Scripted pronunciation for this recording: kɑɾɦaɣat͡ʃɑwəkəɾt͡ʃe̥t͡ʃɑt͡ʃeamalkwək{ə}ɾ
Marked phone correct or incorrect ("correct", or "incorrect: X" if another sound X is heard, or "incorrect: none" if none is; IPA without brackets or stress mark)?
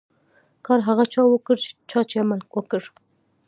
correct